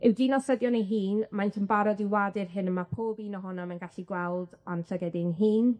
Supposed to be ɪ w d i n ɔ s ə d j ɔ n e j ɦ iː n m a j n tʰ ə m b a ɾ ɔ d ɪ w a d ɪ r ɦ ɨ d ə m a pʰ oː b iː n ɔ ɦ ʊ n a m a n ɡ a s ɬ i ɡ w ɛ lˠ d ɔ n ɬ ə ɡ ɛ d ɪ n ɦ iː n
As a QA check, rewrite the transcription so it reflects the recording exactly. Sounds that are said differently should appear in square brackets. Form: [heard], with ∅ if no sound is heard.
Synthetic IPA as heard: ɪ w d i n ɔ s ə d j ɔ n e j ɦ iː n m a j n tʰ ə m b a ɾ ɔ d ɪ w a d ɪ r ɦ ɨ [n] ə m a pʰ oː b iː n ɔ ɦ ʊ n a m a n ɡ a [∅] ɬ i ɡ w ɛ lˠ d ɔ n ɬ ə ɡ ɛ d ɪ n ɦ iː n